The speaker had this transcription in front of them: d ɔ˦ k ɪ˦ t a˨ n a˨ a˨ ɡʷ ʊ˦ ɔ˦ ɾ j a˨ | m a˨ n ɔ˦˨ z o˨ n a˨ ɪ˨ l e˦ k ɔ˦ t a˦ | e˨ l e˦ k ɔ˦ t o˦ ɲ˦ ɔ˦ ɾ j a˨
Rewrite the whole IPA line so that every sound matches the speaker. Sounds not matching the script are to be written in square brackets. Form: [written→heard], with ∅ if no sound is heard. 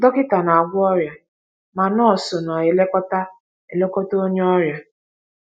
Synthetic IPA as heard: d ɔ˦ k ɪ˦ t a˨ n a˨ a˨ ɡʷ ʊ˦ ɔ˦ ɾ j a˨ | m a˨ n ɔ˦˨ [z→s] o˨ n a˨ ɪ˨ l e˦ k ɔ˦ t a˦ | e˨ l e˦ k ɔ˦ t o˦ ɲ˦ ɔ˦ ɾ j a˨